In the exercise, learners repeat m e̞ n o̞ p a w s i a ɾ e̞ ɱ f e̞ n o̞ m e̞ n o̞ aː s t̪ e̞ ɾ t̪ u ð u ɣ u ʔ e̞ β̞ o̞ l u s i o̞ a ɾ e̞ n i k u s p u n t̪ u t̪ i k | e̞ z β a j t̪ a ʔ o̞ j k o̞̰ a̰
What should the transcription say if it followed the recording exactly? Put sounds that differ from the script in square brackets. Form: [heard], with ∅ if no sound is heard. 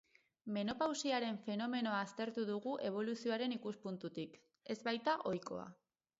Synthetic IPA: m e̞ n o̞ p a w s i a ɾ e̞ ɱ f e̞ n o̞ m e̞ n o̞ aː s t̪ e̞ ɾ t̪ u ð u ɣ u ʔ e̞ β̞ o̞ l u s i o̞ a ɾ e̞ n i k u s p u n t̪ u t̪ i k | e̞ z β a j t̪ a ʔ o̞ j k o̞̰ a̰